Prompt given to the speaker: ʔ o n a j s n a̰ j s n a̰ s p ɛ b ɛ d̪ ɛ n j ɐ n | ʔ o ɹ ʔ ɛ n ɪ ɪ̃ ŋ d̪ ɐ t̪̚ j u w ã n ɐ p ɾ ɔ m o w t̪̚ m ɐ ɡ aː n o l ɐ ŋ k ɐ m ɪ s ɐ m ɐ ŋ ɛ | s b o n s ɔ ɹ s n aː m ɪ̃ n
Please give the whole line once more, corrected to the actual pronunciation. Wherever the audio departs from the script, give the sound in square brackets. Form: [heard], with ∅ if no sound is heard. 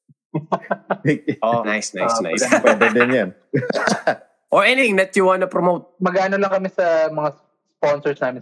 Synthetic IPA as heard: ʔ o n a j s n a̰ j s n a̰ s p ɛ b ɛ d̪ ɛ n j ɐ n | ʔ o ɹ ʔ ɛ n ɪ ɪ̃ ŋ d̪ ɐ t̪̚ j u w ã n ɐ p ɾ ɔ m o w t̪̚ m ɐ ɡ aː n o l ɐ ŋ k ɐ m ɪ s ɐ m ɐ ŋ [a] | s [p] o n s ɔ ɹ s n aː m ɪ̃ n